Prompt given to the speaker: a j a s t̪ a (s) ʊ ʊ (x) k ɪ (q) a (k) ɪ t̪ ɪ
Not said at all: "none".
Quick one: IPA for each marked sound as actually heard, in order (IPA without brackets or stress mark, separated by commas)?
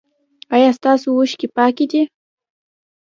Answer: s, ʃ, p, k